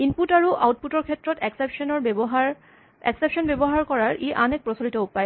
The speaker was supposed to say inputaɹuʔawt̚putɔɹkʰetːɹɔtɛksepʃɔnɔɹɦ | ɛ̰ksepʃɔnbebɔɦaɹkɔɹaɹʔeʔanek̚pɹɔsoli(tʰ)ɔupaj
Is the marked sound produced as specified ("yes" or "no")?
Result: no